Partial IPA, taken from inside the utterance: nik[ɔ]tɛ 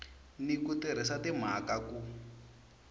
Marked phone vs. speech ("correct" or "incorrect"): incorrect